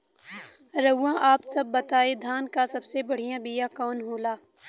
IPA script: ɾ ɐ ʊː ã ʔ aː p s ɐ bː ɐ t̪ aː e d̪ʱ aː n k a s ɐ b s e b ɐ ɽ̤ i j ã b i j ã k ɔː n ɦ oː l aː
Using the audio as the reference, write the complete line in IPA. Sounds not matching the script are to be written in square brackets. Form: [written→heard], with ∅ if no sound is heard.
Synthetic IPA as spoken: ɾ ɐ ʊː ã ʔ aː p s ɐ bː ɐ t̪ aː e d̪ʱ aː n k a s ɐ b s e b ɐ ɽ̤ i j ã b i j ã k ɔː n ɦ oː l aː